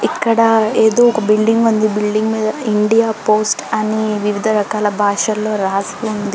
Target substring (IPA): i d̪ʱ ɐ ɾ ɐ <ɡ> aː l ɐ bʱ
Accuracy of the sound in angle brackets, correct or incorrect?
incorrect